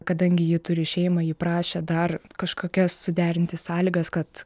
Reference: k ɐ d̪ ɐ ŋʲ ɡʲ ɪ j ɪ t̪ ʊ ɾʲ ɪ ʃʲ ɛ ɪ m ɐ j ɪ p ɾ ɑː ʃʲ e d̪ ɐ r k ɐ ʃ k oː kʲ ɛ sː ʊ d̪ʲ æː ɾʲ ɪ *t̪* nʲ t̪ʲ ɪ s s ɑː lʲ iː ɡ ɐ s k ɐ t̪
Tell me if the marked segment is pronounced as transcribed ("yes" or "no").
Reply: no